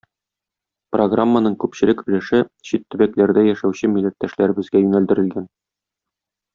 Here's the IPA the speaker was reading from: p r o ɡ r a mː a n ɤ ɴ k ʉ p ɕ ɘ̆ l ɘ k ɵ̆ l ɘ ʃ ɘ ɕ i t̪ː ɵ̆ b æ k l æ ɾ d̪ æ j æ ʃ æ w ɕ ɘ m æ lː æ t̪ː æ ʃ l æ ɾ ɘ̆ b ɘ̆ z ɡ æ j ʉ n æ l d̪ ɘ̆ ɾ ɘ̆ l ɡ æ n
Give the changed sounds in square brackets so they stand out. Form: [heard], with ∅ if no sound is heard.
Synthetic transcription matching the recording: p r o ɡ r a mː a n ɤ ɴ k ʉ p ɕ ɘ̆ l ɘ k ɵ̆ l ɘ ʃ ɘ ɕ i t̪ː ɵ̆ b æ k l æ ɾ d̪ æ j æ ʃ æ w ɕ ɘ m [i] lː æ t̪ː æ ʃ l æ ɾ ɘ̆ b ɘ̆ z ɡ æ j ʉ n æ l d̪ ɘ̆ ɾ ɘ̆ l ɡ æ n